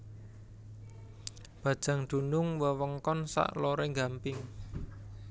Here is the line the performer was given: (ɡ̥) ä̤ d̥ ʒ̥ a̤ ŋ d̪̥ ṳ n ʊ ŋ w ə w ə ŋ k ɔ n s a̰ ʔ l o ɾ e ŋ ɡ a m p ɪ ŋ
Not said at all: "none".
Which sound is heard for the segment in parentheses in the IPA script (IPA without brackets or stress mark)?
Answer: b̥